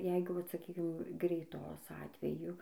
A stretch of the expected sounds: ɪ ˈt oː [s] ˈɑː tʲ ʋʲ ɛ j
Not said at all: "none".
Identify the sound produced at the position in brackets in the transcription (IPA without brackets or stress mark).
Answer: s